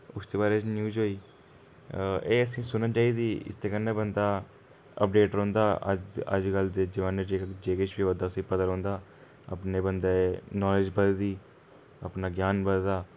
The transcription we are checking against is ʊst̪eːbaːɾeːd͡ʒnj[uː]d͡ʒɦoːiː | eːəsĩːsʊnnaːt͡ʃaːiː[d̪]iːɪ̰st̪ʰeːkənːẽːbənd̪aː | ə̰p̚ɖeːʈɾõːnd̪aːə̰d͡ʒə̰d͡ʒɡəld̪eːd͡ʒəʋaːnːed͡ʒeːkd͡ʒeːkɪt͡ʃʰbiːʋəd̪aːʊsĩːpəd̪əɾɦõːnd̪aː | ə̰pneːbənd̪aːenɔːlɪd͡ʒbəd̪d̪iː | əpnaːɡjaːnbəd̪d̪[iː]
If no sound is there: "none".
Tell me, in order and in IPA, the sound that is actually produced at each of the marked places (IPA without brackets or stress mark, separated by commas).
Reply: uː, d̪, aː